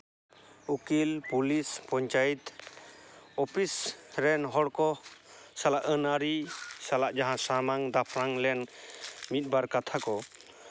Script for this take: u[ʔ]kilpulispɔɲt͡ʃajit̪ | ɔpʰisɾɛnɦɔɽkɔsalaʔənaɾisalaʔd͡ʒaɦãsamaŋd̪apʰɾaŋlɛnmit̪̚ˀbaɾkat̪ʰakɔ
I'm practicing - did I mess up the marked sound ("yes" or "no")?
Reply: yes